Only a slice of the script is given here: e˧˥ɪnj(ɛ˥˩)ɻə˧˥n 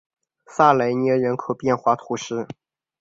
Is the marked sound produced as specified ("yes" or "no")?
no